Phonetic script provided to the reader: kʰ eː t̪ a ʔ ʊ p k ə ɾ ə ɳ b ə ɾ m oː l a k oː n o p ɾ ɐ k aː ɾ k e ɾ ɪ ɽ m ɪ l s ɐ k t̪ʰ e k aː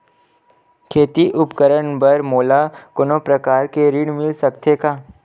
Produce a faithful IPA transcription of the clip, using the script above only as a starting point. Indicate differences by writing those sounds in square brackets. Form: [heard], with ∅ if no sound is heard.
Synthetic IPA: kʰ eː t̪ [i] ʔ ʊ p k ə ɾ ə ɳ b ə ɾ m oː l a k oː n o p ɾ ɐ k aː ɾ k e ɾ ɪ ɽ m ɪ l s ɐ k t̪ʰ e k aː